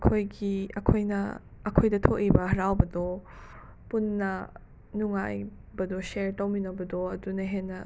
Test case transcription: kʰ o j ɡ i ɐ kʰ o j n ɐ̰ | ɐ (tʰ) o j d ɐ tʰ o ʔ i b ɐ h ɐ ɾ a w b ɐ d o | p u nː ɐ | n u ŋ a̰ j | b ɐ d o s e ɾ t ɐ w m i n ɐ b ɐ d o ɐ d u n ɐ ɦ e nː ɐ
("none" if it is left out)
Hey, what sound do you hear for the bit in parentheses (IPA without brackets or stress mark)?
kʰ